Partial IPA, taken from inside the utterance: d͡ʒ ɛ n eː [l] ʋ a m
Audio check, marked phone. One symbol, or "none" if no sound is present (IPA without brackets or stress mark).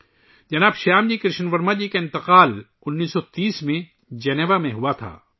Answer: none